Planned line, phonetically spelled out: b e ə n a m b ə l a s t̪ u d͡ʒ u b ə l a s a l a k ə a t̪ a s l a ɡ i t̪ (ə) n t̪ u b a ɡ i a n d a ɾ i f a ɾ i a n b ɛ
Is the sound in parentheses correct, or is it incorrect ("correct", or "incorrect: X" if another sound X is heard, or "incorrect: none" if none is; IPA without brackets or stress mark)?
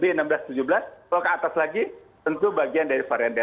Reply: correct